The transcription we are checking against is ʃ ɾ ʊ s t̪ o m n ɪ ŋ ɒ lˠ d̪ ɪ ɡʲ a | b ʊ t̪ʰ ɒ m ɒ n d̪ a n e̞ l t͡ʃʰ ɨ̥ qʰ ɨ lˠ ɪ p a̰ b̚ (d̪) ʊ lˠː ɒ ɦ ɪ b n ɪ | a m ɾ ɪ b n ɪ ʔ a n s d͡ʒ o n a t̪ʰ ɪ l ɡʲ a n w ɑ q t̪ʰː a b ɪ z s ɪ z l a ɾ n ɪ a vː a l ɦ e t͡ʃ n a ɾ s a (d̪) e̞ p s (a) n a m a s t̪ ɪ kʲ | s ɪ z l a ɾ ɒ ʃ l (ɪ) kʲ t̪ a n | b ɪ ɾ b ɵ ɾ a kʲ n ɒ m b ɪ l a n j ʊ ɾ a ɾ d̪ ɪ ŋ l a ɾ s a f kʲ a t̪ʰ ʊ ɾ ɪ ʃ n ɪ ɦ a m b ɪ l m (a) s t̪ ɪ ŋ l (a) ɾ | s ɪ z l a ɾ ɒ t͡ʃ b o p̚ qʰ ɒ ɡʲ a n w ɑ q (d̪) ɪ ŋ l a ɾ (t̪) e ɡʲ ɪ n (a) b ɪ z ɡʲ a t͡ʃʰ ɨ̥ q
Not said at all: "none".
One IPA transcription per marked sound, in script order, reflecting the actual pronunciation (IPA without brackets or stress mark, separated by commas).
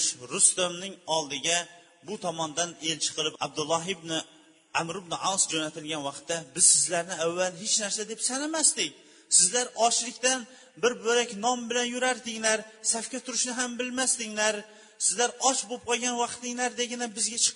d̪, d̪, a, ɪ, a, a, t̪, d̪, a